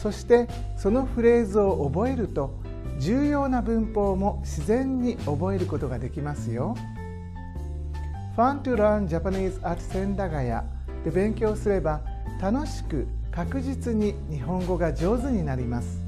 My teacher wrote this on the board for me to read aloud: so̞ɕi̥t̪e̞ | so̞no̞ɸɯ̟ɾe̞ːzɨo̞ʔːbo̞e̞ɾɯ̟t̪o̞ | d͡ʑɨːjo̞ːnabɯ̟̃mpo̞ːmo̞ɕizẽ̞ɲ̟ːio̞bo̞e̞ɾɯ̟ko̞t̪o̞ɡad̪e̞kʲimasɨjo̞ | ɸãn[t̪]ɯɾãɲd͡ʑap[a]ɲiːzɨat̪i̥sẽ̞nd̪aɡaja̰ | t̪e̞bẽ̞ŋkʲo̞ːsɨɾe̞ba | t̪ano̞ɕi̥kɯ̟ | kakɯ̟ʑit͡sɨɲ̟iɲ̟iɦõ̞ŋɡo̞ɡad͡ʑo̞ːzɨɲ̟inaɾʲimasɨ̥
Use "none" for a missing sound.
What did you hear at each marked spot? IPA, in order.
t̪, a

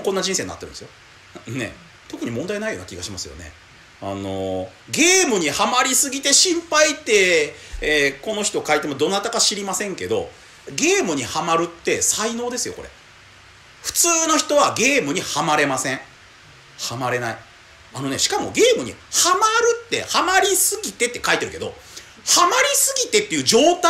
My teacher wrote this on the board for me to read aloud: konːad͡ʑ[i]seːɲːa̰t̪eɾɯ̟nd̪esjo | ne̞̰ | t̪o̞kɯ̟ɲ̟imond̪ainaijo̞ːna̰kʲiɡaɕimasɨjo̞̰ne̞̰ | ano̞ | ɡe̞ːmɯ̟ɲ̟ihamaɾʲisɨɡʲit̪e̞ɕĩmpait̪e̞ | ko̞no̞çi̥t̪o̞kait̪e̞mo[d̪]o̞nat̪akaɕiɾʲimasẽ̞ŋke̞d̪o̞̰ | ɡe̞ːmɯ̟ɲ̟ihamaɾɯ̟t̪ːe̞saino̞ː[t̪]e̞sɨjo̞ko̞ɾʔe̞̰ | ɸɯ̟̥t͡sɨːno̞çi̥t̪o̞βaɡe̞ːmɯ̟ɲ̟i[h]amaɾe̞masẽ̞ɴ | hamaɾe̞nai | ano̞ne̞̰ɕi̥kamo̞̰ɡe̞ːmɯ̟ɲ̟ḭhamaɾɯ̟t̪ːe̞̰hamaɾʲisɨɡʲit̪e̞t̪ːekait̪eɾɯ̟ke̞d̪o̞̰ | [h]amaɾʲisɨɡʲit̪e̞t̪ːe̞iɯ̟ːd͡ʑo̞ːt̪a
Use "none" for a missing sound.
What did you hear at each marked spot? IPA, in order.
ĩ, d̪, d̪, h, h

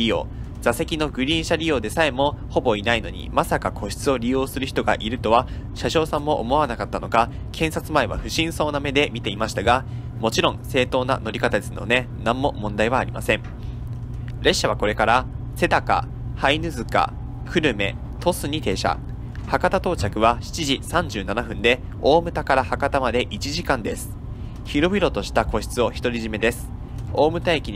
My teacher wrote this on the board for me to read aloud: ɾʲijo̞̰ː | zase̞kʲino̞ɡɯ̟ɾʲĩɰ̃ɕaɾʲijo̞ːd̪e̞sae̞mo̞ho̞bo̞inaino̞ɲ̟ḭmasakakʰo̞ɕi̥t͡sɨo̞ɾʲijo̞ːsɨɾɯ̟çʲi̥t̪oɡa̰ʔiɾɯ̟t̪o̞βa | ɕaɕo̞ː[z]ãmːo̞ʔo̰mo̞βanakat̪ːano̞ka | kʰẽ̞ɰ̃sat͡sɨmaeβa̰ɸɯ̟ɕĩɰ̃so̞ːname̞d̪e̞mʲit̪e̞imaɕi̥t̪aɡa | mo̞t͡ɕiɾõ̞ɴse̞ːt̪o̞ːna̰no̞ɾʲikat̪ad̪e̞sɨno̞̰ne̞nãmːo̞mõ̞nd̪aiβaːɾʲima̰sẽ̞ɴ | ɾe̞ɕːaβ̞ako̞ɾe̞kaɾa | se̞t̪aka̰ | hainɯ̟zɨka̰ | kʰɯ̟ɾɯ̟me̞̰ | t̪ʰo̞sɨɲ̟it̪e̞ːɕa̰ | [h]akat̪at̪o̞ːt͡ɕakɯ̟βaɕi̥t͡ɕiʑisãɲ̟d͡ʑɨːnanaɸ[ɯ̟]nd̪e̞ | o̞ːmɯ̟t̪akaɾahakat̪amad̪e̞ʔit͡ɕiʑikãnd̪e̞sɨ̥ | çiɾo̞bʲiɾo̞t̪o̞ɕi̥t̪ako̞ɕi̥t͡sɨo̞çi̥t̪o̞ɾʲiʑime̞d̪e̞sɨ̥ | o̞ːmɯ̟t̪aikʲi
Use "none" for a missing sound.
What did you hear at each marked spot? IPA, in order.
s, h, ɯ̟̃

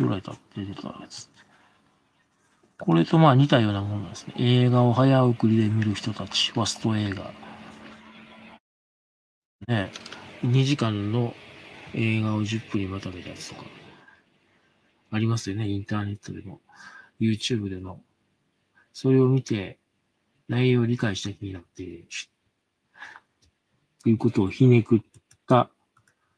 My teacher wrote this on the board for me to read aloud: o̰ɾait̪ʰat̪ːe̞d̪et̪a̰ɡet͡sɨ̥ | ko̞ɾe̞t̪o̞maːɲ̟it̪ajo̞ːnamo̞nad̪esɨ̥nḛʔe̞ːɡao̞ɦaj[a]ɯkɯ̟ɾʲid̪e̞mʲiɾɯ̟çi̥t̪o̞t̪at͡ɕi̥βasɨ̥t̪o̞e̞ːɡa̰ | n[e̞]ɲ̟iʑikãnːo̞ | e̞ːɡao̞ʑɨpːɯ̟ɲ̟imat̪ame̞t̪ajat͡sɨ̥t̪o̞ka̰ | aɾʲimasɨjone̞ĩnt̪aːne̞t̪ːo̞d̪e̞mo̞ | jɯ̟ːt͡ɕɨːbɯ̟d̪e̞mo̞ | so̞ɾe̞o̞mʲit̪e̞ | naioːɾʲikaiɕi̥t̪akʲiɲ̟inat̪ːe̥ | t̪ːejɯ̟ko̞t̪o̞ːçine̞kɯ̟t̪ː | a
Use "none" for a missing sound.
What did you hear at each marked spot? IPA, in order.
a, e̞

